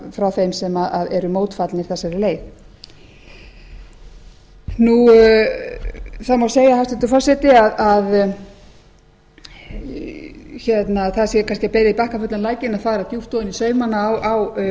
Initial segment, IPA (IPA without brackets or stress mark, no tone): f